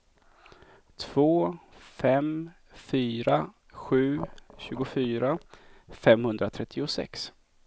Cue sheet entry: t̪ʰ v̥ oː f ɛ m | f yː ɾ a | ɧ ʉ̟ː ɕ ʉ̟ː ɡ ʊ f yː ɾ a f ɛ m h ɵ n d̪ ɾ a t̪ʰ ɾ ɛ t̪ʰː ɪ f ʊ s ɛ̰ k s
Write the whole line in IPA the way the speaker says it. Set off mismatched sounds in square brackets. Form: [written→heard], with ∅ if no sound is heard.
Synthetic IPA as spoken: t̪ʰ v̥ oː f ɛ m | f yː ɾ a | ɧ ʉ̟ː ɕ ʉ̟ː ɡ ʊ f yː ɾ a f ɛ m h ɵ n d̪ ɾ a t̪ʰ ɾ ɛ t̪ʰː ɪ [f→∅] ʊ s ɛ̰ k s